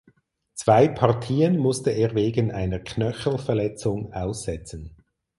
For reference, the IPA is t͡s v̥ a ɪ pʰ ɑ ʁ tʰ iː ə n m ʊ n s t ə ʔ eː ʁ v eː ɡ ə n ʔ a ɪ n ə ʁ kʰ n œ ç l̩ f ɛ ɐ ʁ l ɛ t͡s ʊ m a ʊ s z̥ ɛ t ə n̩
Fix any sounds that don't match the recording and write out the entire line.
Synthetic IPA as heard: t͡s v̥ a ɪ pʰ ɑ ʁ tʰ iː ə n m ʊ s t ə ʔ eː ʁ v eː ɡ ə n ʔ a ɪ n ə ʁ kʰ n œ ç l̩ f ɛ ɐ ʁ l ɛ t͡s ʊ ŋ a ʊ s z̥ ɛ t͡s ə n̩